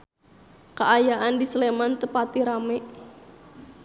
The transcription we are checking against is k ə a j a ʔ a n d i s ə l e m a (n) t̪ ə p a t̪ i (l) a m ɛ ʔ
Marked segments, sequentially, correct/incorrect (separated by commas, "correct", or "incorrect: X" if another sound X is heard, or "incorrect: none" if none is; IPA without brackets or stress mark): correct, incorrect: ɾ